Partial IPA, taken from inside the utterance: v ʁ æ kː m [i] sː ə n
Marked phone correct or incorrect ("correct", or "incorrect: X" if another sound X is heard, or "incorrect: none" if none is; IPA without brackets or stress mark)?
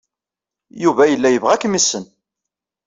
correct